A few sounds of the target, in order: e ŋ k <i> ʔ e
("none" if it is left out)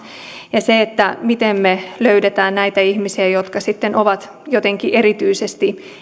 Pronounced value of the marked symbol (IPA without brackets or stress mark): i